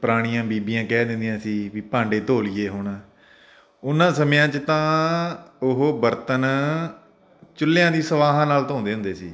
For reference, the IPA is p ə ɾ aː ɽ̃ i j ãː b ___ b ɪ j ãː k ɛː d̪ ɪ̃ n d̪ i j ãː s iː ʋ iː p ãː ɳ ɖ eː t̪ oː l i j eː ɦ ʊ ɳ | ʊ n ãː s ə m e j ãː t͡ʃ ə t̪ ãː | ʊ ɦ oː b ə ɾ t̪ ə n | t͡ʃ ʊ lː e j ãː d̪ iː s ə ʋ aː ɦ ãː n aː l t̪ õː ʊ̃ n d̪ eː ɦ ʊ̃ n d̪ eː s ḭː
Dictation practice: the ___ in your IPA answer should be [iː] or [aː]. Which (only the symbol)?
iː